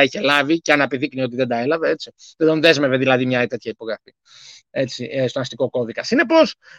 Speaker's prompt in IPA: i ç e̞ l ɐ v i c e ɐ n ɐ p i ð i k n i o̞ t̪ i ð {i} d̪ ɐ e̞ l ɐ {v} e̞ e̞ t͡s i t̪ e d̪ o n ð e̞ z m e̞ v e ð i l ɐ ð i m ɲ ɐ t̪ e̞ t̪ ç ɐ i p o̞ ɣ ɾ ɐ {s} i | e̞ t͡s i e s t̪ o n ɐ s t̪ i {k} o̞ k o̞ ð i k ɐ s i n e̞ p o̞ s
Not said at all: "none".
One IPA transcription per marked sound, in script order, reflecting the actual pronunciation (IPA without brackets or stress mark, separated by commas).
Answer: e, v, f, k